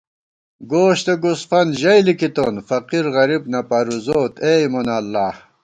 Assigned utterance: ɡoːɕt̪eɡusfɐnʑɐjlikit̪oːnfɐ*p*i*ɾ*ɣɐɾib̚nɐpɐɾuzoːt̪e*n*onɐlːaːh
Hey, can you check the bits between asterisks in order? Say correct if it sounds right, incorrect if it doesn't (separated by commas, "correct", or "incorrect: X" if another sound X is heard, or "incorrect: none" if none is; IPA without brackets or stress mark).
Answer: incorrect: q, correct, incorrect: m